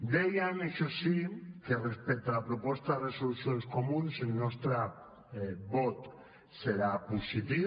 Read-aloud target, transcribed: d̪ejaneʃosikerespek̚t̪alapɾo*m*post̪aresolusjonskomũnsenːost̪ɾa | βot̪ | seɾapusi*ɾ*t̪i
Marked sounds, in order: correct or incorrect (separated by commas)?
incorrect, incorrect